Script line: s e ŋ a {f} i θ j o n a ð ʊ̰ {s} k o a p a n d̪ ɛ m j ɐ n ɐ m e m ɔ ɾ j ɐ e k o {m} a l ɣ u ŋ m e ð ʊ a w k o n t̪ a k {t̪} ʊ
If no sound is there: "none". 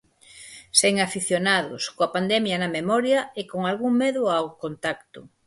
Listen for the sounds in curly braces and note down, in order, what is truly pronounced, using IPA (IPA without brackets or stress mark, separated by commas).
f, s, ŋ, t̪